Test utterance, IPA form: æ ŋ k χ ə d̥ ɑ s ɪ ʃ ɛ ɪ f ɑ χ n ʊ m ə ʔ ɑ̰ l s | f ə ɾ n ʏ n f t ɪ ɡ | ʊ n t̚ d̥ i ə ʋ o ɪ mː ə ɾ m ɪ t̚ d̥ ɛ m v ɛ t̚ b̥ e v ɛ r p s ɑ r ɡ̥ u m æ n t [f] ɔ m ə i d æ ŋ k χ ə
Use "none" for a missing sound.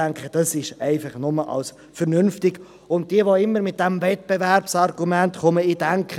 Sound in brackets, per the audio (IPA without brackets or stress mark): χ